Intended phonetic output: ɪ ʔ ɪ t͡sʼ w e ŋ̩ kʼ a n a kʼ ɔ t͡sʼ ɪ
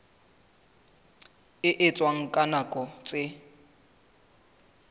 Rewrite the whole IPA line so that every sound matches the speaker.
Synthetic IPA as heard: ɪ ʔ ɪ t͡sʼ w a ŋ̩ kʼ a n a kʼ ɔ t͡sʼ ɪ

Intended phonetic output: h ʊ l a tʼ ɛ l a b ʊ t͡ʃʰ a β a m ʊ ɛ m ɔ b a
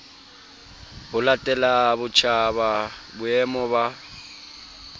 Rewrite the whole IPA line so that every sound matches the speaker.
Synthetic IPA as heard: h ʊ l a tʼ ɛ l a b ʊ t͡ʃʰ a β a b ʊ ɛ m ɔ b a

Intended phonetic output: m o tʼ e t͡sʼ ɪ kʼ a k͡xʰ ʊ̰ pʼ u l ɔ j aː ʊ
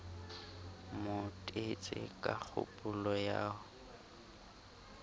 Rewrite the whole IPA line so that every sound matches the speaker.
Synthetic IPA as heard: m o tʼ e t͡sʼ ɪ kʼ a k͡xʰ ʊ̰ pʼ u l ɔ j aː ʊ

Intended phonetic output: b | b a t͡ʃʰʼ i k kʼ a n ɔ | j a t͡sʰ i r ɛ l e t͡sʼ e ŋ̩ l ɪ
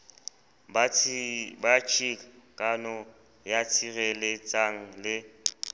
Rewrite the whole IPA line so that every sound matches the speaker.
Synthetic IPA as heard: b | b a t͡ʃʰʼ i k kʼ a n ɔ | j a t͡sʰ i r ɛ l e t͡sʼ a ŋ̩ l ɪ

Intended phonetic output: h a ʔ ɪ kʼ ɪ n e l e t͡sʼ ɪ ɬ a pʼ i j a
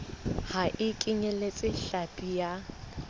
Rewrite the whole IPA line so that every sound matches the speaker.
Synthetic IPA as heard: h a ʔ ɪ kʼ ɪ ɲ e l e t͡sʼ ɪ ɬ a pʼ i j a

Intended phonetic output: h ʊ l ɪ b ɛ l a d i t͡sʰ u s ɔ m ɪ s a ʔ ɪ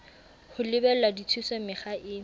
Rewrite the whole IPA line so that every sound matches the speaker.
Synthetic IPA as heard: h ʊ l ɪ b ɛ l a d i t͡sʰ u s ɔ m ɪ χ a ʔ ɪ

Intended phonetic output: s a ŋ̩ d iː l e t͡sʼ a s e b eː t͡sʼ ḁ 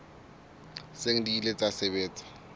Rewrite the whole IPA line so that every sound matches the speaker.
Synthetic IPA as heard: s e ŋ̩ d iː l e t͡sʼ a s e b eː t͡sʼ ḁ

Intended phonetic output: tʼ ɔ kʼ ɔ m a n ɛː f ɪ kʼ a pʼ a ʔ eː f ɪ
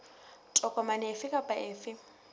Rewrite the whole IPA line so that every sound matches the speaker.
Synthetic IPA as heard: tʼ ɔ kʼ ɔ m a n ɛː f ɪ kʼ a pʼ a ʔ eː f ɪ

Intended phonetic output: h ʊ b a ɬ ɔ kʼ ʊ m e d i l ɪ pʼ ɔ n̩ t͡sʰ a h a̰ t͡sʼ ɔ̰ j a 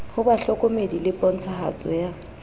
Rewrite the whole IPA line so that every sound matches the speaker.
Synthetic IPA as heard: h ʊ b a ɬ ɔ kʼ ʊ m e d i l ɪ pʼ ɔ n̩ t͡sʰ a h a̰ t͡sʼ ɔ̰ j a

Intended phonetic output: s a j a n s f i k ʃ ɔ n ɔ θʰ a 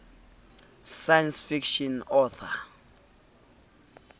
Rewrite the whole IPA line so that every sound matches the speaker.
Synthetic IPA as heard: s a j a n s f i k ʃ ɔ n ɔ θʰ a

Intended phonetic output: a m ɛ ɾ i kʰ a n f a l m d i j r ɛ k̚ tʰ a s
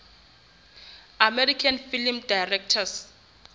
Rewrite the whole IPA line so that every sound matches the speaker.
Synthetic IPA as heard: a m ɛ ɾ i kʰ a n f i l m d a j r ɛ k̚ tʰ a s

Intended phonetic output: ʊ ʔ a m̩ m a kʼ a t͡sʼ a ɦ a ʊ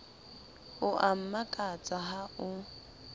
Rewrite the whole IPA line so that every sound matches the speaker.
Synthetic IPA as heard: ʊ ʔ a m̩ m a kʼ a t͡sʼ a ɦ a ʊ

